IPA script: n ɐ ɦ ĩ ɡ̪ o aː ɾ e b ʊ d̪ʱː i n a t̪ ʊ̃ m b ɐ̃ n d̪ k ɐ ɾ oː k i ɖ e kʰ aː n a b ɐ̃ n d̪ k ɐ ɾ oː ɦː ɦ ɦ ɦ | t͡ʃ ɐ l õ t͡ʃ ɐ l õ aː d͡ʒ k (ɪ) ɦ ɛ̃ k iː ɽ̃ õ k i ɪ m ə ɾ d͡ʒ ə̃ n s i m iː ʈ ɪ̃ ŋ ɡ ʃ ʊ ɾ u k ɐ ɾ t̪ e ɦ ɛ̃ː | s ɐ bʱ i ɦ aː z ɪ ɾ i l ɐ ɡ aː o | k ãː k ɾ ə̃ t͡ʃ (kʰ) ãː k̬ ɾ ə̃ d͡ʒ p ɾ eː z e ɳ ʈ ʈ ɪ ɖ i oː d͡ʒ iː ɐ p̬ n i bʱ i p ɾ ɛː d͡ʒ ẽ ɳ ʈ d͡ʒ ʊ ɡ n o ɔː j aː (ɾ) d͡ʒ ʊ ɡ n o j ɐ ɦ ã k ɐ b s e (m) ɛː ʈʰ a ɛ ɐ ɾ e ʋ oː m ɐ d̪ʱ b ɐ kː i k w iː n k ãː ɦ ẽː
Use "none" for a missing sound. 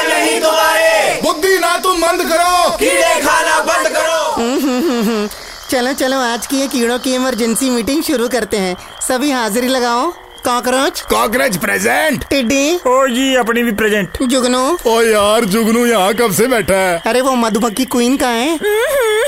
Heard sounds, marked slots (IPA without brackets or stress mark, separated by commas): i, k, ɾ, b